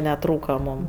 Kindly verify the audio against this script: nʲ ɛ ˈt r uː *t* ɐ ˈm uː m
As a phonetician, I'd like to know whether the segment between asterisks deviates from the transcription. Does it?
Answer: yes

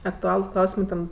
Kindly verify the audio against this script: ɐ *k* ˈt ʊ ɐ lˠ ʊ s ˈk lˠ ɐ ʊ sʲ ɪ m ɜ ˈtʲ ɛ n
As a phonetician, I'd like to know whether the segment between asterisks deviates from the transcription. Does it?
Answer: no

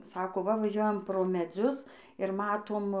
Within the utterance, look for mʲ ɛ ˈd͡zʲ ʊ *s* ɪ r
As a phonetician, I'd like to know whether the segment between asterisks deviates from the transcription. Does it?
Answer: no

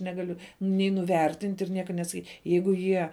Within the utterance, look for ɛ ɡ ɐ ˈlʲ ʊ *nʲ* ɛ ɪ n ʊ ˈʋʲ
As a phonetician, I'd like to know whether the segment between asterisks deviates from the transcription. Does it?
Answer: no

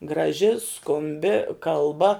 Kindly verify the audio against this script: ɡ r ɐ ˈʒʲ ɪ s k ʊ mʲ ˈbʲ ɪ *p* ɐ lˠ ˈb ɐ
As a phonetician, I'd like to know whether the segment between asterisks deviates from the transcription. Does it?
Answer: yes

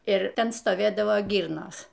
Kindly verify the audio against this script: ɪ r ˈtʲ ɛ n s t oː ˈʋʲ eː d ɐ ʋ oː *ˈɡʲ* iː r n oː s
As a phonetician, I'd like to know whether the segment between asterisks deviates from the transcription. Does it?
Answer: no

